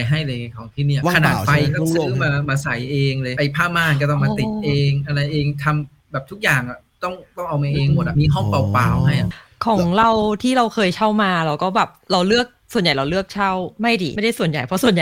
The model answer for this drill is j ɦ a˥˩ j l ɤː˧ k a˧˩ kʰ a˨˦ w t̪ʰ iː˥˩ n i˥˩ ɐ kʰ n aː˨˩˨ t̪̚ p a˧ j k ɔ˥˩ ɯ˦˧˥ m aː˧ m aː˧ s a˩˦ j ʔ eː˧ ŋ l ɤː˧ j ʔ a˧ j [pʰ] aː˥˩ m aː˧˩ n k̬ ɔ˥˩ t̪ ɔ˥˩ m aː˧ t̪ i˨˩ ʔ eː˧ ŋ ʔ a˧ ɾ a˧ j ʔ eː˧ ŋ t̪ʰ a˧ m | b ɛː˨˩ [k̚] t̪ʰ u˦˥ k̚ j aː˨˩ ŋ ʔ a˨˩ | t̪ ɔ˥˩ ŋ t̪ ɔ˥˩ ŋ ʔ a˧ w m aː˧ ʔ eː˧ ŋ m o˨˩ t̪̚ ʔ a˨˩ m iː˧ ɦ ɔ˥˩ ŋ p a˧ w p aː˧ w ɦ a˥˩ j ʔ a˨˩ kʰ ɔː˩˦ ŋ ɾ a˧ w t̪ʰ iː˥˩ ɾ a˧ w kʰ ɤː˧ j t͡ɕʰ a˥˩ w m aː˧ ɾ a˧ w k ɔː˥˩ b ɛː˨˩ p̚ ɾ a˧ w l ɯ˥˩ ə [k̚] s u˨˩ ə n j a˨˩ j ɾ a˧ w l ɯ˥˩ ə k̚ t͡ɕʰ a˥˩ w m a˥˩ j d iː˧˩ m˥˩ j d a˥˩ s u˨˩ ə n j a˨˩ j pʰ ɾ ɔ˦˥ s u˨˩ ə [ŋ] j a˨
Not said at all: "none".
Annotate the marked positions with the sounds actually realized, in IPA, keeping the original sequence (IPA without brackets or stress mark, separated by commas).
pʰ, p̚, k̚, n